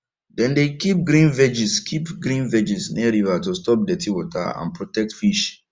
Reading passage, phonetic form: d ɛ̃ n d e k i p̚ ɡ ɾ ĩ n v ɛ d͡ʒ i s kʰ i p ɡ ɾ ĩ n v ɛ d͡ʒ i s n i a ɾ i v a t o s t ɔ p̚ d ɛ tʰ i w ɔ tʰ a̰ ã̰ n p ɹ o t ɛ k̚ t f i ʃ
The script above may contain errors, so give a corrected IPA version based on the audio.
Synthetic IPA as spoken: d ɛ̃ n d e k i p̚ ɡ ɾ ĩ n v ɛ d͡ʒ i s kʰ i p ɡ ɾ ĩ n v ɛ d͡ʒ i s n i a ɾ i v a t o s t ɔ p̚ d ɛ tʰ i w ɔ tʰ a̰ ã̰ n p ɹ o t ɛ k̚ t f i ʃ